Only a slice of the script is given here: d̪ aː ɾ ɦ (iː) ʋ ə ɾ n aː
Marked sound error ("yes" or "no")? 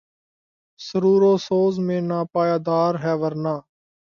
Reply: yes